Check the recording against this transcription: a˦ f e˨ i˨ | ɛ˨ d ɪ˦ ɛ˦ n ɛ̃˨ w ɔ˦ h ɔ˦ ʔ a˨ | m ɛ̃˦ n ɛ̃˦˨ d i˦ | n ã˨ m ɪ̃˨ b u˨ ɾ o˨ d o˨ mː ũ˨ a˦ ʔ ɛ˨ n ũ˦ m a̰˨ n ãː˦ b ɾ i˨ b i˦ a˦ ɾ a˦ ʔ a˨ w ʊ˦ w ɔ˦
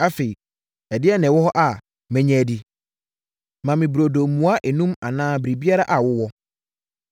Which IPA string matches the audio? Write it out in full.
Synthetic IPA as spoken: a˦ f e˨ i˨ | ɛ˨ d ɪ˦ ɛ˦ n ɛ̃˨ w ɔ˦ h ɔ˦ ʔ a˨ | m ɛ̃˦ ɲ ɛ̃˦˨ d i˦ | m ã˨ m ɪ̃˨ b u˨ ɾ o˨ d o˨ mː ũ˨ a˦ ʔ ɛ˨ n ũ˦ m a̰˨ n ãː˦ b ɾ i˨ b i˦ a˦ ɾ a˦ ʔ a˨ w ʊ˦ w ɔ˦

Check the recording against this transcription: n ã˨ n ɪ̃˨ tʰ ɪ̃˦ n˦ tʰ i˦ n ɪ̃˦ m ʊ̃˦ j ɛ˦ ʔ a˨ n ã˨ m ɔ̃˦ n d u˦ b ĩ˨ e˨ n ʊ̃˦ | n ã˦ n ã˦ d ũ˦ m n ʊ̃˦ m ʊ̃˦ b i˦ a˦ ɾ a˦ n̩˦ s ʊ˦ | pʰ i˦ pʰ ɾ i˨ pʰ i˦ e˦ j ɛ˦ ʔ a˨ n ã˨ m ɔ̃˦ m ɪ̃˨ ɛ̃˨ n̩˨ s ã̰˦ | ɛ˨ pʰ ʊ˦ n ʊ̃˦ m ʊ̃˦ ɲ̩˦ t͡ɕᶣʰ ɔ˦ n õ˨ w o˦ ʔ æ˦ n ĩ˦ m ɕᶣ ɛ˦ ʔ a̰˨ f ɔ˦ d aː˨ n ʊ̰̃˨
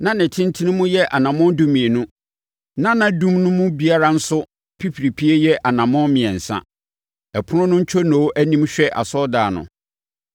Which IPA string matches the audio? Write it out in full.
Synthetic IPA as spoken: n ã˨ n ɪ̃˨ tʰ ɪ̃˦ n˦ tʰ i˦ n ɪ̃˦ m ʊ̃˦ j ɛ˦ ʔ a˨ n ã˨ m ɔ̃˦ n d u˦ m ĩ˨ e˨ n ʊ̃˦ | n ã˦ n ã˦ d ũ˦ m n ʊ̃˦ m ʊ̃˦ b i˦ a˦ ɾ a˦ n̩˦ s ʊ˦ | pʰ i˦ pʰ ɾ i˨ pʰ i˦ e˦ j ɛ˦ ʔ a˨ n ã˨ m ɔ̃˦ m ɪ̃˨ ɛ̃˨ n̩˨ s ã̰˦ | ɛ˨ pʰ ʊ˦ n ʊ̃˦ n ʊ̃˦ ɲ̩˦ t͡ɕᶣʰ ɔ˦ n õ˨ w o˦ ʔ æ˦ n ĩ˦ m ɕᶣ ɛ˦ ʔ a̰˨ s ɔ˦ d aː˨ n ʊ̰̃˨

